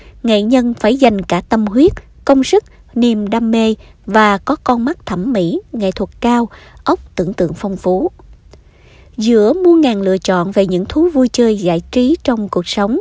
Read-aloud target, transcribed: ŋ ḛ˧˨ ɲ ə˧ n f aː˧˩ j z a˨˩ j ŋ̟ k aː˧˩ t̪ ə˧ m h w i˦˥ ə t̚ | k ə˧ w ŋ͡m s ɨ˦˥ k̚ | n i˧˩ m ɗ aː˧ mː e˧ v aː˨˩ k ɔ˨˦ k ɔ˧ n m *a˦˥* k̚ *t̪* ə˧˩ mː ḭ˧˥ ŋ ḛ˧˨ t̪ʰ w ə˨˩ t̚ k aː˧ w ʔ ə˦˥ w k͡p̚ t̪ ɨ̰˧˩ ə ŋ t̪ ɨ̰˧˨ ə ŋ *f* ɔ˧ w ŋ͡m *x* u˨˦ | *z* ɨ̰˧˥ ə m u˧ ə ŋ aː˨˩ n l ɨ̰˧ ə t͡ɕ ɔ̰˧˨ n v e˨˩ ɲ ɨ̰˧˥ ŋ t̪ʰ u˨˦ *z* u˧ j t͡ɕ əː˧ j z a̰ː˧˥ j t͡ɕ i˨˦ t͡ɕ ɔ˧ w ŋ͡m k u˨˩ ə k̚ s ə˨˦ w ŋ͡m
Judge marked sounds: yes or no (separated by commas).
yes, no, yes, no, yes, no